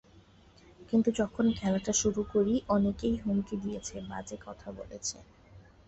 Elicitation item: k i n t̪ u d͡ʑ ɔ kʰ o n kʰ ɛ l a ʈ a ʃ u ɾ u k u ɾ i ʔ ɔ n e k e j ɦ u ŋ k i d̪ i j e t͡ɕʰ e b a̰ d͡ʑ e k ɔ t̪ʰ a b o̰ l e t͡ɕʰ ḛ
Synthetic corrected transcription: k i n t̪ u d͡ʑ ɔ kʰ o n kʰ ɛ l a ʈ a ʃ u ɾ u k o ɾ i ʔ ɔ n e k e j ɦ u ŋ k i d̪ i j e t͡ɕʰ e b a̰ d͡ʑ e k ɔ t̪ʰ a b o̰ l e t͡ɕʰ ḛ